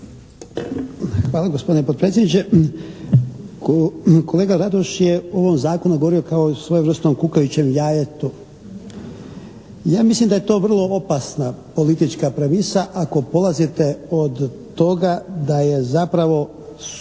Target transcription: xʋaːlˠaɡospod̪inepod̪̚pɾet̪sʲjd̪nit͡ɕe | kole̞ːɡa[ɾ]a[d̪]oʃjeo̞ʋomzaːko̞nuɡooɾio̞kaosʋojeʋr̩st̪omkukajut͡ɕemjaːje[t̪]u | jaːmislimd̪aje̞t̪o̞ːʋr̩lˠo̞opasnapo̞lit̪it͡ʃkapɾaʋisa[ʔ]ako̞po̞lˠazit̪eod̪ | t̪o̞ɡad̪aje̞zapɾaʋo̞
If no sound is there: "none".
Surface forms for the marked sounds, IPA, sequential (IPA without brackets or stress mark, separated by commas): ɾ, d̪, t̪, ʔ